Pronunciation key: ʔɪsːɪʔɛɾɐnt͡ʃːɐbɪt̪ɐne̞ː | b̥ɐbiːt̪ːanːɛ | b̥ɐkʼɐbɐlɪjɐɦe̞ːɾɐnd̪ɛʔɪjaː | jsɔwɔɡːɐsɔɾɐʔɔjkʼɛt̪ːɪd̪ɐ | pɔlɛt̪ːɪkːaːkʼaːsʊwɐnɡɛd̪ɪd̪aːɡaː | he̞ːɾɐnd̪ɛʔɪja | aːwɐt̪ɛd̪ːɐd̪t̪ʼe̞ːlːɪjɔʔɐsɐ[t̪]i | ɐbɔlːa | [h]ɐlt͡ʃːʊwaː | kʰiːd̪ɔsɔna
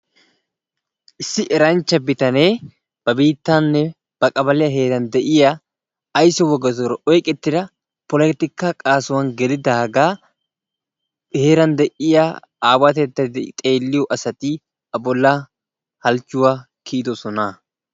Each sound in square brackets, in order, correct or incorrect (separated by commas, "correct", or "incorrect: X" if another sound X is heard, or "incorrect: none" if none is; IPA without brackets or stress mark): correct, correct